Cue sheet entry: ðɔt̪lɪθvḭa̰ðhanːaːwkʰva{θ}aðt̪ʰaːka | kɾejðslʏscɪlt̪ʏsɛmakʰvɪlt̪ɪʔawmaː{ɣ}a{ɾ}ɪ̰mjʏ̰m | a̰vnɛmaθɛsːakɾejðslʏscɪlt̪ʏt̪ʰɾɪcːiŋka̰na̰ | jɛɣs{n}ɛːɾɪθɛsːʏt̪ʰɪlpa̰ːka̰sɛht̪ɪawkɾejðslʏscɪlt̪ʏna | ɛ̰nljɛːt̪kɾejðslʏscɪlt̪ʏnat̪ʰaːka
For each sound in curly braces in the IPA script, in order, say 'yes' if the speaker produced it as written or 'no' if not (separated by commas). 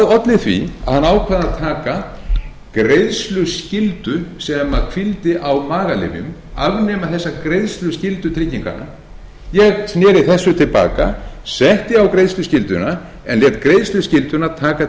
no, yes, no, yes